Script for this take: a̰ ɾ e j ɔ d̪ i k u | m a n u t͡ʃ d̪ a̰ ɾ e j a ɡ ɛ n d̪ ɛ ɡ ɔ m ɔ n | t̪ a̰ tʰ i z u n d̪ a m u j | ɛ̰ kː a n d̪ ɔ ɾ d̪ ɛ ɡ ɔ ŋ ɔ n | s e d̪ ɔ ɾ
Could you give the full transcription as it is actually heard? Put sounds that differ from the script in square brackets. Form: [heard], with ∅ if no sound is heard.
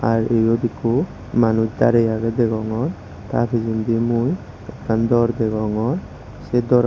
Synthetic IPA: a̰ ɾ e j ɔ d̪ i k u | m a n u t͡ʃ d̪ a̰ ɾ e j a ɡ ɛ [∅] d̪ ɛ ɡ ɔ [ŋ] ɔ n | t̪ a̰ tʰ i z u n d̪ [i] m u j | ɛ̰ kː a n d̪ ɔ ɾ d̪ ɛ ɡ ɔ ŋ ɔ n | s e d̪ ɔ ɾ